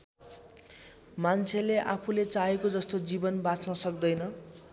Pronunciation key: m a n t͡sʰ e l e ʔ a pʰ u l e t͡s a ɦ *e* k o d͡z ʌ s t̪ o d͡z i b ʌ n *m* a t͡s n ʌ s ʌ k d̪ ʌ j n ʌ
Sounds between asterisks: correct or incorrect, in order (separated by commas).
correct, incorrect